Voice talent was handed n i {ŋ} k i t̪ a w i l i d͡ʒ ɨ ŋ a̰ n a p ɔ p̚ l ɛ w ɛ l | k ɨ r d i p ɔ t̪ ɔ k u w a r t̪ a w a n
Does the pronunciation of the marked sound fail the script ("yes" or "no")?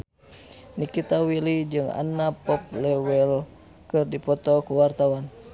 yes